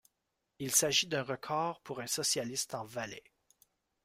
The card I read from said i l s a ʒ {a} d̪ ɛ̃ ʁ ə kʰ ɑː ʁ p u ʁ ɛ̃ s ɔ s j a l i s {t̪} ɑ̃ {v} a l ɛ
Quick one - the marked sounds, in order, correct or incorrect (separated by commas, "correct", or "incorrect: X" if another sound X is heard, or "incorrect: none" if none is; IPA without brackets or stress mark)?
incorrect: i, correct, correct